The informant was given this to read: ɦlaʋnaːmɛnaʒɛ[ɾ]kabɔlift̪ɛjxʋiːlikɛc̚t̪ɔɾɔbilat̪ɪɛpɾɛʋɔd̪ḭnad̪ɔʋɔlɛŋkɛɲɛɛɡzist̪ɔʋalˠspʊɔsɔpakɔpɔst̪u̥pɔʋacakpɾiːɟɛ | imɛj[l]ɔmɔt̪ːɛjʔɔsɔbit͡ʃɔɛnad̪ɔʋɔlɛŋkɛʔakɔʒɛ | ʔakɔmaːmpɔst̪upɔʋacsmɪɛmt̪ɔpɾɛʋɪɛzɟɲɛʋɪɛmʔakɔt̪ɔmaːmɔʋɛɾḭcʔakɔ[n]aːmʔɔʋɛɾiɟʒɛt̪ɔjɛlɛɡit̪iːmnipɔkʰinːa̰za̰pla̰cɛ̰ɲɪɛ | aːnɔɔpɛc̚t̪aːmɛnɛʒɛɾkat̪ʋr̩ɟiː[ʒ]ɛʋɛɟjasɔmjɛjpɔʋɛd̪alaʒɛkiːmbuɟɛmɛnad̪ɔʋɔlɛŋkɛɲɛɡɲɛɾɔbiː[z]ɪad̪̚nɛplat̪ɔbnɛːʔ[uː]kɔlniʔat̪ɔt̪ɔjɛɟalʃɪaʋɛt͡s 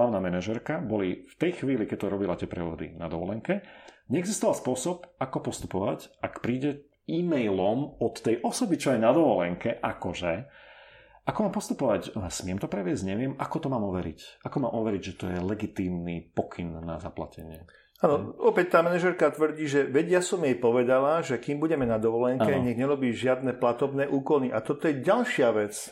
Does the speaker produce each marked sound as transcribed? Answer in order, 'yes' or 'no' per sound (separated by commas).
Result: yes, yes, no, yes, no, yes